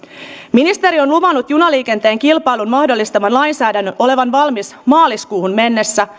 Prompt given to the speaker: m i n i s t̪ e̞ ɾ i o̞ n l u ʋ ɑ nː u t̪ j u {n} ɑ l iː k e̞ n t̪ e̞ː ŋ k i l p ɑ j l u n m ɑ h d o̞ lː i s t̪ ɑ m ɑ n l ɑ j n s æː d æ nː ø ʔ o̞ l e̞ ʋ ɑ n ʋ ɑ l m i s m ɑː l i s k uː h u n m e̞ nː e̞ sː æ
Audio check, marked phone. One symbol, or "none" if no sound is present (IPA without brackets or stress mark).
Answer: n